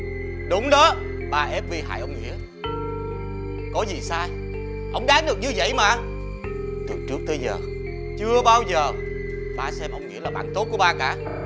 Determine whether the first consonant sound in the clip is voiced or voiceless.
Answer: voiced